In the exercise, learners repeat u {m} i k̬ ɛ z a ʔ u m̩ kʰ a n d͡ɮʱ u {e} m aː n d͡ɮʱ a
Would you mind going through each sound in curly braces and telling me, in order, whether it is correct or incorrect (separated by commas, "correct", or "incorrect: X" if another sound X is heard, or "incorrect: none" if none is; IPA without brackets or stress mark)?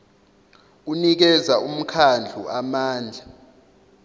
incorrect: n, incorrect: a